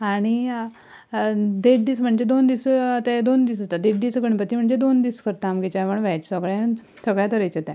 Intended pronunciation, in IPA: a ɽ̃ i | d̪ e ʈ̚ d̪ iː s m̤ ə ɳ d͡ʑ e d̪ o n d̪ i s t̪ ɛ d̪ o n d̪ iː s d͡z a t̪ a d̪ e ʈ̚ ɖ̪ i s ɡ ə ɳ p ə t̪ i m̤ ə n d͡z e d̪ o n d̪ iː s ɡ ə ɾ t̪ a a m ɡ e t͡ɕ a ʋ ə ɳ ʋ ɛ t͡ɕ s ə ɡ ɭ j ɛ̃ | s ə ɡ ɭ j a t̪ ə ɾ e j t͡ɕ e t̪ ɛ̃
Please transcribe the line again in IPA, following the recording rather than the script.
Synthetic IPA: a ɽ̃ i | d̪ e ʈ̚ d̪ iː s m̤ ə ɳ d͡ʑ e d̪ o n d̪ i s t̪ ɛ d̪ o n d̪ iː s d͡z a t̪ a d̪ e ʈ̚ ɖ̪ i s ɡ ə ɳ p ə t̪ i m̤ ə ɳ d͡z e d̪ o n d̪ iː s k ə ɾ t̪ a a m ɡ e t͡ɕ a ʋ ə ɳ ʋ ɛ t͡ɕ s ə ɡ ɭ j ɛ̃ | s ə ɡ ɭ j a t̪ ə ɾ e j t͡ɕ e t̪ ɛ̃

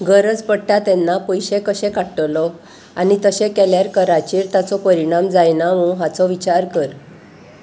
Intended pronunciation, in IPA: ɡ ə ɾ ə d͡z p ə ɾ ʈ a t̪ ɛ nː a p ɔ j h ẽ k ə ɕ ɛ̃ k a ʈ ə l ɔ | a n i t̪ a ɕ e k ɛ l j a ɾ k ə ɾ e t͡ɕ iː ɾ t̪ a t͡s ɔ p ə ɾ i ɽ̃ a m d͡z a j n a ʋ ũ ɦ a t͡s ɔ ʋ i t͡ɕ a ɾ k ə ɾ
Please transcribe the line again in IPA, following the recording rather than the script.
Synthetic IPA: ɡ ə ɾ ə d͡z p ə ɽ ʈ a t̪ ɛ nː a p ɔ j ɕ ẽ k ə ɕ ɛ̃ k a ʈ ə l ɔ | a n i t̪ ə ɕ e k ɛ l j a ɾ k ə ɾ a t͡ɕ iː ɾ t̪ a t͡s ɔ p ə ɾ i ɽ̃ a m d͡z a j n a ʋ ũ ɦ a t͡s ɔ ʋ i t͡ɕ a ɾ k ə ɾ

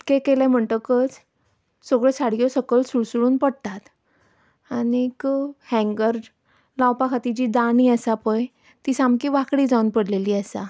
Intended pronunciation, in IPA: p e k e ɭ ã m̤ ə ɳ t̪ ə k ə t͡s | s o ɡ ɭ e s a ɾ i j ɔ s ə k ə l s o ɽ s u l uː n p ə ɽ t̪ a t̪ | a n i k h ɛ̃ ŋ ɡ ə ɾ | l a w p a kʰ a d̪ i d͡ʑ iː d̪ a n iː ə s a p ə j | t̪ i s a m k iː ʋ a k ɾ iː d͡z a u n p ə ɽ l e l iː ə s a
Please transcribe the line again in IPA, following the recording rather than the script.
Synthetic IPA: k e k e l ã m̤ ə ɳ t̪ ə k ə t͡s | s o ɡ ɭ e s a ɽ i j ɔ s ə k ə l s u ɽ s u ɽ uː n p ə ɽ t̪ a t̪ | a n i k h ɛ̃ ŋ ɡ ə ɾ | l a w p a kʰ a t̪ i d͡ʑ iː d̪ a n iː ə s a p ə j | t̪ i s a m k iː ʋ a k ɽ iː d͡z a u n p ə ɽ l e l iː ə s a

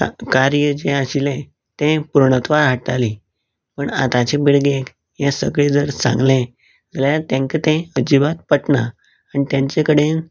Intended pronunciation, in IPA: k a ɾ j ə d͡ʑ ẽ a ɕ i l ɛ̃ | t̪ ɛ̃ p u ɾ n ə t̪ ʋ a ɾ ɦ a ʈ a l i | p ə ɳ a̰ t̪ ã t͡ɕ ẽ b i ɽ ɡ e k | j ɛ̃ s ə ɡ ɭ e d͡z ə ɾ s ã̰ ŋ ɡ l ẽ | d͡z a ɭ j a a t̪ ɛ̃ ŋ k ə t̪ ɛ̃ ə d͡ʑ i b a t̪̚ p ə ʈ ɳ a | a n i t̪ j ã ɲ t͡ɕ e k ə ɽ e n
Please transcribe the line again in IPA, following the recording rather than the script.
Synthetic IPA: k a ɾ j ə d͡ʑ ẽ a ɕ i l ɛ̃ | t̪ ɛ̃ p u ɾ ɳ ə t̪ ʋ a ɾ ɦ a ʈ a l i | p ə ɳ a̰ t̪ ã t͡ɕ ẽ b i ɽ ɡ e k | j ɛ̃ s ə ɡ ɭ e d͡z ə ɾ s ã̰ ŋ ɡ l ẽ | d͡z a l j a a t̪ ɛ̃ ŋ k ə t̪ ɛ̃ ə d͡ʑ i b a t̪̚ p ə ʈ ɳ a | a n i t̪ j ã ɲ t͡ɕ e k ə ɽ e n

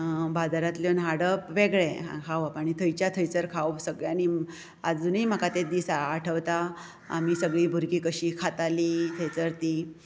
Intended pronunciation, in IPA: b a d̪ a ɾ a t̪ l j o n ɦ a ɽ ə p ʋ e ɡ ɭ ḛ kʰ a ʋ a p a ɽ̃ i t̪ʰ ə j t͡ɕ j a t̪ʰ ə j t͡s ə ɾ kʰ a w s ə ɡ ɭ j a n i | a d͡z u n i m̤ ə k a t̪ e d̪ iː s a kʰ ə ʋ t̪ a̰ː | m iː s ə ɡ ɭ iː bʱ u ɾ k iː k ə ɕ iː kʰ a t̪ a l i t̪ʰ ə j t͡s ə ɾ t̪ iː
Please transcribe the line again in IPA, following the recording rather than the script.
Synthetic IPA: b a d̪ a ɾ a t̪ l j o n ɦ a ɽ ə p ʋ e ɡ ɭ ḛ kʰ a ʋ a p a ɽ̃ i t̪ʰ ə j t͡ɕ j a t̪ʰ ə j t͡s ə ɾ kʰ a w s ə ɡ ɭ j a n i | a d͡z u n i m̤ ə k a t̪ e d̪ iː s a ʈʰ ə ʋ t̪ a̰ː | m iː s ə ɡ ɭ iː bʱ u ɾ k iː k ə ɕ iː kʰ a t̪ a l i t̪ʰ ə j t͡s ə ɾ t̪ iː

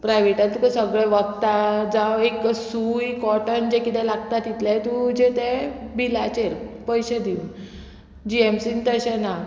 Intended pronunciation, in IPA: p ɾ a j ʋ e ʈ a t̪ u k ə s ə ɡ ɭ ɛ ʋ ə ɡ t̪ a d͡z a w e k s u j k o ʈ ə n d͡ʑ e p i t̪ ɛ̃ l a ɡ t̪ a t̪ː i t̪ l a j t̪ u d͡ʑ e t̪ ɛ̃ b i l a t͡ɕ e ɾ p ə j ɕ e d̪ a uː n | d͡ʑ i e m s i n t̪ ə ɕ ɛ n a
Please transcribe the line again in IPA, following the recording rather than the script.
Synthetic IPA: p ɾ a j ʋ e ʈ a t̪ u k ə s ə ɡ ɭ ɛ ʋ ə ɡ t̪ a d͡z a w e k s u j k ɔ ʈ ə n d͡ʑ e k i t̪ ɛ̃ l a ɡ t̪ a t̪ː i t̪ l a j t̪ u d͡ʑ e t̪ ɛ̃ b i l a t͡ɕ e ɾ p ə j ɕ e d̪ i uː n | d͡ʑ i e m s i n t̪ ə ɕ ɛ n a

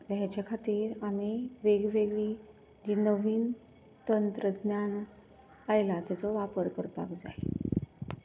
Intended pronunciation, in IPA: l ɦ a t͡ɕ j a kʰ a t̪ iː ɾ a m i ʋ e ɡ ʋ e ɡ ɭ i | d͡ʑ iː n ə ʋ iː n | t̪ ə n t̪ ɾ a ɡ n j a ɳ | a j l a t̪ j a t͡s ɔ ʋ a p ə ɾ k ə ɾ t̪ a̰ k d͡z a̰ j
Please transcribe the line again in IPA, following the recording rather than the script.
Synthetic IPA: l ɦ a t͡ɕ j a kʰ a t̪ iː ɾ a m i ʋ e ɡ ʋ e ɡ ɭ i | d͡ʑ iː n ə ʋ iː n | t̪ ə n t̪ ɾ ə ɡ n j a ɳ | a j l a t̪ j a t͡s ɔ ʋ a p ə ɾ k ə ɾ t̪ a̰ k d͡z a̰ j

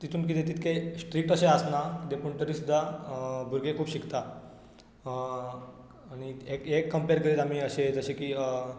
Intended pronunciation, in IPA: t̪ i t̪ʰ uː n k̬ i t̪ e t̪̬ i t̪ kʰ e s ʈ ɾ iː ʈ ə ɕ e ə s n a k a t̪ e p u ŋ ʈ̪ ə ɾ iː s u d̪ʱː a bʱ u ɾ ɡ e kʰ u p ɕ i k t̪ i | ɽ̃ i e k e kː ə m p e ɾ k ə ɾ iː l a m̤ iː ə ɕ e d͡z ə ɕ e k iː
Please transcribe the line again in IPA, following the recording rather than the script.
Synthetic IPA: t̪ i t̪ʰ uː n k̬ i t̪ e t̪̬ i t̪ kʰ e s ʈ ɾ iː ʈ ə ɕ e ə s n a k i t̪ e p u ɳ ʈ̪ ə ɾ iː s u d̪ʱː a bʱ u ɾ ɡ e kʰ uː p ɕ i k t̪ a | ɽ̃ i e k e kː ə m p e ɾ k ə ɾ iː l a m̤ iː ə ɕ e d͡z ə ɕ e k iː

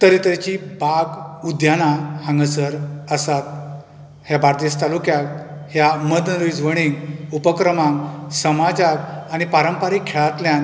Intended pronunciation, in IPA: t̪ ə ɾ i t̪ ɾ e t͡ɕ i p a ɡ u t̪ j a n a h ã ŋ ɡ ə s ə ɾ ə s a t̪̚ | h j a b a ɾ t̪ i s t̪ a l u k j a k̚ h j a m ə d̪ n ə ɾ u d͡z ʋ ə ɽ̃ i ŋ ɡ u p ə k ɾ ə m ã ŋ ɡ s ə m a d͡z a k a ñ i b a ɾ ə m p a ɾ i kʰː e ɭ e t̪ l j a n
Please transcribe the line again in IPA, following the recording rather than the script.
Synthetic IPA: t̪ ə ɾ i t̪ ɾ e t͡ɕ i b a ɡ u d̪ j a n a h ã ŋ ɡ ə s ə ɾ ə s a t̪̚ | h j a b a ɾ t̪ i s t̪ a l u k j a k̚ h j a m ə d̪ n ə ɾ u d͡z ʋ ə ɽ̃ i ŋ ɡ u p ə k ɾ ə m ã ŋ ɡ s ə m a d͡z a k a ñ i p a ɾ ə m p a ɾ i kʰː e ɭ a t̪ l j a n

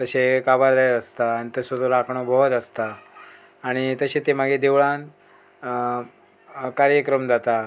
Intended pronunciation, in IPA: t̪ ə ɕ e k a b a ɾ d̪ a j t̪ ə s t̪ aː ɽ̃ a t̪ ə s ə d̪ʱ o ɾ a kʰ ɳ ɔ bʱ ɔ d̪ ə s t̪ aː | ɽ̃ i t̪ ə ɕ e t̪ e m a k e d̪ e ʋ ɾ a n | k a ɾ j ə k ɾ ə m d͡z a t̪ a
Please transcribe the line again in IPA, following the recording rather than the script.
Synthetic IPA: t̪ ə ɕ e k a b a ɾ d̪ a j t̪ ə s t̪ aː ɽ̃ i t̪ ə s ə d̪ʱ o ɾ a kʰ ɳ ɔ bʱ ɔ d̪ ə s t̪ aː | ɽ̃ i t̪ ə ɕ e t̪ e m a ɡ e d̪ e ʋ ɭ a n | k a ɾ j ə k ɾ ə m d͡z a t̪ a

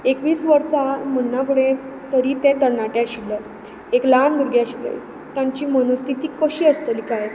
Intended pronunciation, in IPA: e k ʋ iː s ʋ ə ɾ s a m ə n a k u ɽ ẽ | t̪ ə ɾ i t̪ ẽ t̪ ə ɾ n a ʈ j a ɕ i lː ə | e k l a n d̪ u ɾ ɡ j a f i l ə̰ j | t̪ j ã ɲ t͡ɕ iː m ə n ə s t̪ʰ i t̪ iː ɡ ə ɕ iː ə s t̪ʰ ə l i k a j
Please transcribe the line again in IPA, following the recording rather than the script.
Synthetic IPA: e k ʋ iː s ʋ ə ɾ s a m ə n a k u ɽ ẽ | t̪ ə ɾ i t̪ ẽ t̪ ə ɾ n a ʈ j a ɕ i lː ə | e k l a n d̪ u ɾ ɡ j a ɕ i l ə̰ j | t̪ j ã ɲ t͡ɕ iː m ə n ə s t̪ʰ i t̪ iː k ə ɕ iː ə s t̪ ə l i k a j

